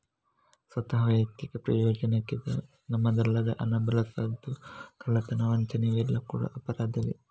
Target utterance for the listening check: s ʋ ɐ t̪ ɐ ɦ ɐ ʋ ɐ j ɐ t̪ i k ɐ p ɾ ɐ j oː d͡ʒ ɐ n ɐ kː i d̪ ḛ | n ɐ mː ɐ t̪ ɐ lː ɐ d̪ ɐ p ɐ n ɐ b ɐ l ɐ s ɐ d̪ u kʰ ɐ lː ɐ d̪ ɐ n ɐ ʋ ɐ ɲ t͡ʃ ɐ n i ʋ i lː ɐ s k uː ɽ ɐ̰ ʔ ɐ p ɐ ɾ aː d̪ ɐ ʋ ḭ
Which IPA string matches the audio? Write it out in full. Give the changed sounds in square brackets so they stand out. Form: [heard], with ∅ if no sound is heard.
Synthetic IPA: s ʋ ɐ t̪ ɐ ɦ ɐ ʋ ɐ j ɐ t̪ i k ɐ p ɾ ɐ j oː d͡ʒ ɐ n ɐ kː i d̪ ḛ | n ɐ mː ɐ [d̪] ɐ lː ɐ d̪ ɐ [ʔ] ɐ n ɐ b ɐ l ɐ s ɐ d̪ u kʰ ɐ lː ɐ [t̪] ɐ n ɐ ʋ ɐ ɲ t͡ʃ ɐ n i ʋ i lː ɐ [∅] k uː ɽ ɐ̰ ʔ ɐ p ɐ ɾ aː d̪ ɐ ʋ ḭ